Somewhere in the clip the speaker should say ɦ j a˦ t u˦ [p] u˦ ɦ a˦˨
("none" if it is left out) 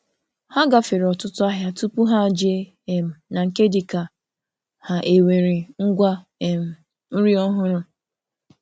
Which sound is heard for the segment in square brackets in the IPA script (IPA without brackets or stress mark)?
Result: p